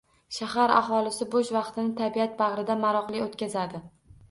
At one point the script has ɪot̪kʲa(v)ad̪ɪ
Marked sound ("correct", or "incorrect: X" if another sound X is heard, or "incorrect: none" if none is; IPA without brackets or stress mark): incorrect: z